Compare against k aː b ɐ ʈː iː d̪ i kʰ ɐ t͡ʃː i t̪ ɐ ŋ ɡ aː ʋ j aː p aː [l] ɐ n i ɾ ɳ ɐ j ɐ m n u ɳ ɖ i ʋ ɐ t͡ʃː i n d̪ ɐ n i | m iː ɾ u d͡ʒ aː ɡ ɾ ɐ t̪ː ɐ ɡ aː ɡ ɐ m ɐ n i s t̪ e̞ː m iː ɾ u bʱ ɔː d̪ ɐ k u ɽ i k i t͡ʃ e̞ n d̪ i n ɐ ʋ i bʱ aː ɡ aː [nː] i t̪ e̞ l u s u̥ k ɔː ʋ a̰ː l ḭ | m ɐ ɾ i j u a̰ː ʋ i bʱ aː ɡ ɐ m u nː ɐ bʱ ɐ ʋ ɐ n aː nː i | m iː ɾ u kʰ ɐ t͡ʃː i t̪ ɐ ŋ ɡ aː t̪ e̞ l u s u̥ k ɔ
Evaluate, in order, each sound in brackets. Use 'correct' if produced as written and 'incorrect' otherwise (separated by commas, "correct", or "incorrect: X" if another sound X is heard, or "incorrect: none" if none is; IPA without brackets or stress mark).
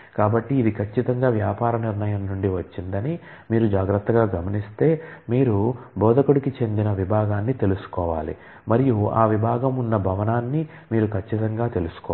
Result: incorrect: ɾ, correct